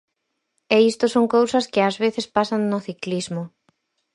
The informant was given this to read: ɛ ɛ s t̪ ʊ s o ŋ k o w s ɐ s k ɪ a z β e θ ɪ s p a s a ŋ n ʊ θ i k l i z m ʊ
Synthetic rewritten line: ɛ i s t̪ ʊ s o ŋ k o w s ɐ s k ɪ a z β e θ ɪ s p a s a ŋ n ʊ θ i k l i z m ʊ